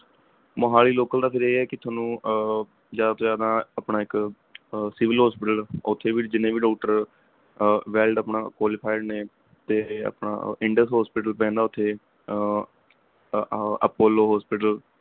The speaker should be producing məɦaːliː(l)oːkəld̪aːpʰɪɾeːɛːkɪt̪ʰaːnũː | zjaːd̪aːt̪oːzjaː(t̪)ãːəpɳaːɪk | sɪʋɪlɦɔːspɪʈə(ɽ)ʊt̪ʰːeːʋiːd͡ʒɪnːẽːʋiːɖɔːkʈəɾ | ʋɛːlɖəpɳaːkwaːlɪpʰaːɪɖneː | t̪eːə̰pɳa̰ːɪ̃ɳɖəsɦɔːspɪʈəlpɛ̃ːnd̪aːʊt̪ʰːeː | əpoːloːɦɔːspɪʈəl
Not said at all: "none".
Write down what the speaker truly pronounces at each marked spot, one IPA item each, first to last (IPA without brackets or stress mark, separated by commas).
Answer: l, d̪, l